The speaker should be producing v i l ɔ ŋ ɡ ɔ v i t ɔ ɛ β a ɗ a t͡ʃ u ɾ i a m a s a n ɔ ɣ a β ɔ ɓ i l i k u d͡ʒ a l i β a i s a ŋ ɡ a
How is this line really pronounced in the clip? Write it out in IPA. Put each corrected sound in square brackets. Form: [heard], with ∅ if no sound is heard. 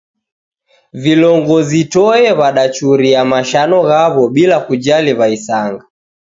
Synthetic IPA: v i l ɔ ŋ ɡ ɔ [z] i t ɔ ɛ β a ɗ a t͡ʃ u ɾ i a m a [ʃ] a n ɔ ɣ a β ɔ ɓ i l [a] k u d͡ʒ a l i β a i s a ŋ ɡ a